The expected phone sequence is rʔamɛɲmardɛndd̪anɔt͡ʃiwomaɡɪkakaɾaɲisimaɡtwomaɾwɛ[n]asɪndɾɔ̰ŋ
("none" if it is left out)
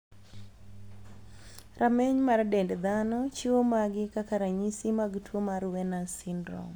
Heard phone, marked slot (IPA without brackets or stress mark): n